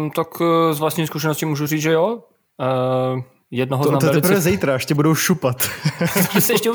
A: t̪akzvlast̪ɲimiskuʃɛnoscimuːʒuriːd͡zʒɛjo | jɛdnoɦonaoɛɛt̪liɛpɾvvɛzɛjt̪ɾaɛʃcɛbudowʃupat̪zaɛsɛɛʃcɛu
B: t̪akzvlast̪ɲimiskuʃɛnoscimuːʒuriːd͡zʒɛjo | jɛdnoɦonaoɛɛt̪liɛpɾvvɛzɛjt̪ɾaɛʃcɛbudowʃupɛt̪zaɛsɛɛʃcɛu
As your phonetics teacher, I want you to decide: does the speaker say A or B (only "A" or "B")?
A